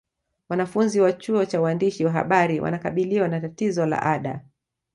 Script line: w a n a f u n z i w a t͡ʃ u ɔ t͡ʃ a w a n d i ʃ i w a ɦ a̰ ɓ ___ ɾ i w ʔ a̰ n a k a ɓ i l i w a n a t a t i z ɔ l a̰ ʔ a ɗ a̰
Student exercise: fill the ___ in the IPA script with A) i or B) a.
B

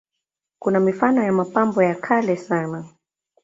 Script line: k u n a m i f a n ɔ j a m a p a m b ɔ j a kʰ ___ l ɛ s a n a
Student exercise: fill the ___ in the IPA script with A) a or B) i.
A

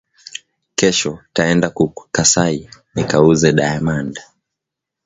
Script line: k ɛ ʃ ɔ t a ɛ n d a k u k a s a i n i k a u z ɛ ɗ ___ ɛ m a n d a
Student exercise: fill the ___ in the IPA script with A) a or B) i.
A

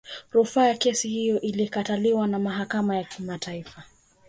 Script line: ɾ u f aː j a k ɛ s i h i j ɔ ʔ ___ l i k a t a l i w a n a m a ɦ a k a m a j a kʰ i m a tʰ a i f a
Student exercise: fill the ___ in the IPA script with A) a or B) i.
B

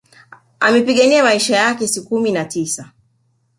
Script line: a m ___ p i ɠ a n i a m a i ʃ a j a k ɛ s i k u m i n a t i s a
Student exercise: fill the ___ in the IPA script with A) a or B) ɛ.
B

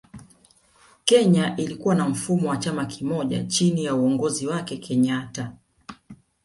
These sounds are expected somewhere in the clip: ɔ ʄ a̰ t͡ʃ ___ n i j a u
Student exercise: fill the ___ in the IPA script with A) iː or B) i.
B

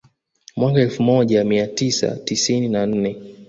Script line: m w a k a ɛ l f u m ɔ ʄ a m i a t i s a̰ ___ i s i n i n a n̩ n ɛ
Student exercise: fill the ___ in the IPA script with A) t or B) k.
A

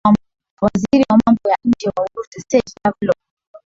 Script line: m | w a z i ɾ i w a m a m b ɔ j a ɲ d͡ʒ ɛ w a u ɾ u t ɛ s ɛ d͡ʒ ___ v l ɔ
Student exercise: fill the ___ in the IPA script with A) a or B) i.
A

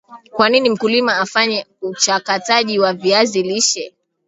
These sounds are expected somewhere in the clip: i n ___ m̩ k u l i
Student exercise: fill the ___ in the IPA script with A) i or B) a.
A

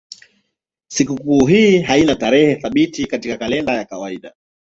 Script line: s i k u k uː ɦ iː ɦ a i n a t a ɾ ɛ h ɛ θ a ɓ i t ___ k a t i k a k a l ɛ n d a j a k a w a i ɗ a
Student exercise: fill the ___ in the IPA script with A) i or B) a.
A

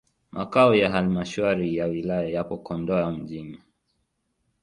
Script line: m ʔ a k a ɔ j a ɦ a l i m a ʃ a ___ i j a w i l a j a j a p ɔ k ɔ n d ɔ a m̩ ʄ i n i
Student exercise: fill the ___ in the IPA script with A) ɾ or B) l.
A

